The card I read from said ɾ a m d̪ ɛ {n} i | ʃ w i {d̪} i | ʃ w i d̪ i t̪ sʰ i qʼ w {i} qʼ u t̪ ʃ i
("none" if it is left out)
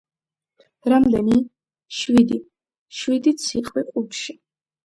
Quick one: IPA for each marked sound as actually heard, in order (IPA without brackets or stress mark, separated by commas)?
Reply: n, d̪, i